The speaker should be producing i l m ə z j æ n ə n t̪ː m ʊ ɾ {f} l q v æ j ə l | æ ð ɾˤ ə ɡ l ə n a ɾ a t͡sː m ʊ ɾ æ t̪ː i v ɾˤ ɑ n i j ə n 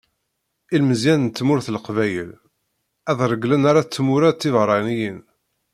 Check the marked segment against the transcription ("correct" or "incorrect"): incorrect